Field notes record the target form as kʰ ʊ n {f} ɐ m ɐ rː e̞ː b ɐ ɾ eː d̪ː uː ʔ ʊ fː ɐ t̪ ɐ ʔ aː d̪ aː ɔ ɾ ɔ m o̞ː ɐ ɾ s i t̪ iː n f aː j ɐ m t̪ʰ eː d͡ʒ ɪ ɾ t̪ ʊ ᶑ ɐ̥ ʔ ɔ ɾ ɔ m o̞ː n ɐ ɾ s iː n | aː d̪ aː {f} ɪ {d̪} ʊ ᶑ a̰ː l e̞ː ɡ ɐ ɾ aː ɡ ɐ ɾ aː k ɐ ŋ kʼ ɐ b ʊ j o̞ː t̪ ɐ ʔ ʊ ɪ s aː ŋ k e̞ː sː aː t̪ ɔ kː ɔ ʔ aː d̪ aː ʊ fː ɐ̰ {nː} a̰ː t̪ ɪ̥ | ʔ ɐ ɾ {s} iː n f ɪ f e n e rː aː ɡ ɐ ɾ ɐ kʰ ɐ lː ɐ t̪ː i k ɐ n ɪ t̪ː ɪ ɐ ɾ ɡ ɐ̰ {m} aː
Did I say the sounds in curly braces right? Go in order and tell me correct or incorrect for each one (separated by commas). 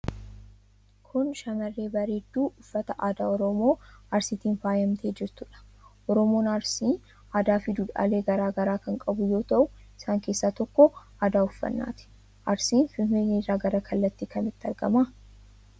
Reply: incorrect, correct, correct, correct, correct, correct